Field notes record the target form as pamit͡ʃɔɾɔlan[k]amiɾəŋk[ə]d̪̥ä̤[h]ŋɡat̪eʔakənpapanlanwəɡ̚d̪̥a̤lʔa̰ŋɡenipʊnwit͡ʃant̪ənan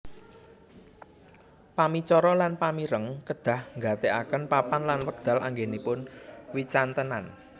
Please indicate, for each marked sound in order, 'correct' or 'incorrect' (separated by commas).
incorrect, correct, correct